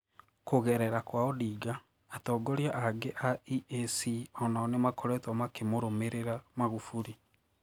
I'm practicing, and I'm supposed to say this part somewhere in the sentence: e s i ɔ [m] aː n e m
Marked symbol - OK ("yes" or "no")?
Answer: no